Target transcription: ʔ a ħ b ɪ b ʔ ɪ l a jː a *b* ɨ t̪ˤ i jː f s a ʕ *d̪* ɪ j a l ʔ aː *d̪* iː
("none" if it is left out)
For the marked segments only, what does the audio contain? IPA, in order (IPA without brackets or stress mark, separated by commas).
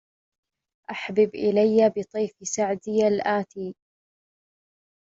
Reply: b, d̪, t̪